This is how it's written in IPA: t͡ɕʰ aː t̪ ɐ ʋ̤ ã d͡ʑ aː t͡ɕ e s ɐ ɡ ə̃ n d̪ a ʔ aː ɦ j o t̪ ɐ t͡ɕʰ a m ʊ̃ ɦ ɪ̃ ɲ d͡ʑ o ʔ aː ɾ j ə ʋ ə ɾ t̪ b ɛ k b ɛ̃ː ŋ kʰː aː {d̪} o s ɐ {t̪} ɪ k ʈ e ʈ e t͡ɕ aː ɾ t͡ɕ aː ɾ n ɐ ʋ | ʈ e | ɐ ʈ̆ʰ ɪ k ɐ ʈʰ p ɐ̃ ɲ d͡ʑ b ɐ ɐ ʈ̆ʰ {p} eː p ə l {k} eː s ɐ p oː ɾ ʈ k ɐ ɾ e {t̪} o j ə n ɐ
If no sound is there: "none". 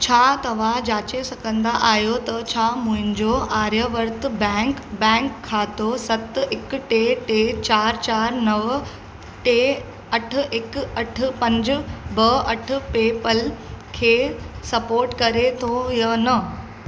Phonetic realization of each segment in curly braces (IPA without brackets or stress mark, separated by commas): t̪, t̪, p, kʰ, t̪ʰ